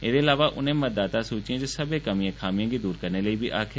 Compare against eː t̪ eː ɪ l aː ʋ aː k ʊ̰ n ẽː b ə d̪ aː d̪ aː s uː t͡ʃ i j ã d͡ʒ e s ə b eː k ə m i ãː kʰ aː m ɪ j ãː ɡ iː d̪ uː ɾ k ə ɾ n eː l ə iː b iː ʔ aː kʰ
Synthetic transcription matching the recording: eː d̪ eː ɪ l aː ʋ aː ʔ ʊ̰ n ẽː m ə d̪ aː t̪ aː s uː t͡ʃ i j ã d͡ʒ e s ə b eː k ə m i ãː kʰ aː m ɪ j ãː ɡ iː d̪ uː ɾ k ə ɾ n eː l ə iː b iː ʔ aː kʰ